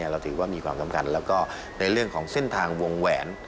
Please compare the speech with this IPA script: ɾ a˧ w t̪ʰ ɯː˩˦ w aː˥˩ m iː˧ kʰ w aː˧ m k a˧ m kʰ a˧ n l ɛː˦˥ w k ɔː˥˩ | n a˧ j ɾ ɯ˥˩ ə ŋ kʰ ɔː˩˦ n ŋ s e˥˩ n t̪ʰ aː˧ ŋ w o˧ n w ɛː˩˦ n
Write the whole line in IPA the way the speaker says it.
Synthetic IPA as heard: ɾ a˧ w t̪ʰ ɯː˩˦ w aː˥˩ m iː˧ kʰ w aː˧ m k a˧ m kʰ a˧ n l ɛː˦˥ w k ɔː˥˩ | n a˧ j ɾ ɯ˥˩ ə ŋ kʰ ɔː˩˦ ŋ s e˥˩ n t̪ʰ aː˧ ŋ w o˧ ŋ w ɛː˩˦ n